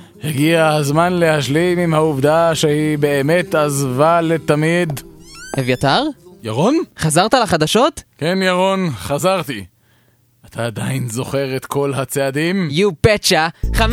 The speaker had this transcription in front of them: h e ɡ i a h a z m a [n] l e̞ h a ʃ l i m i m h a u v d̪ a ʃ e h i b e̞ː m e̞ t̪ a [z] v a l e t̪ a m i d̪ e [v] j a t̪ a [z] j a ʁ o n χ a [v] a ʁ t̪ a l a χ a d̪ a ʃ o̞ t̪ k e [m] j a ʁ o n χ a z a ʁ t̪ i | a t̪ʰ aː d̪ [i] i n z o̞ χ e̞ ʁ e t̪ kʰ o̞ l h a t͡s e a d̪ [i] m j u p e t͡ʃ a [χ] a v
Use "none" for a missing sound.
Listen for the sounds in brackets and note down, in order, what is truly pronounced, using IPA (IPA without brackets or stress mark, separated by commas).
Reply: n, z, v, ʁ, z, n, a, i, χ